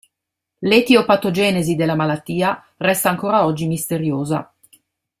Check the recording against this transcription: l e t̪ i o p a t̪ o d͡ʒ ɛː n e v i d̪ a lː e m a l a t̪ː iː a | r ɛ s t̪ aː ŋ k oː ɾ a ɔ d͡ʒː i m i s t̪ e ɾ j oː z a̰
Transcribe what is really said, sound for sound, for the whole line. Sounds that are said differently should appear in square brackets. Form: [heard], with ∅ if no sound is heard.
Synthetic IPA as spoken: l e t̪ i o p a t̪ o d͡ʒ ɛː n e [z] i d̪ [e] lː [a] m a l a t̪ː iː a | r ɛ s t̪ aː ŋ k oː ɾ a ɔ d͡ʒː i m i s t̪ e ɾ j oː z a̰